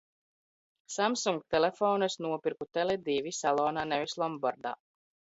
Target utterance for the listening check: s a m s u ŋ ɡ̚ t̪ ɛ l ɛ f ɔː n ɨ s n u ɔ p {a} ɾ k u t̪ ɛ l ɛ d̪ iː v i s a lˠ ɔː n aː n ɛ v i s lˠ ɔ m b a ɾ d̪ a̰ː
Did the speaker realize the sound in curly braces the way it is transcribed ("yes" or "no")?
no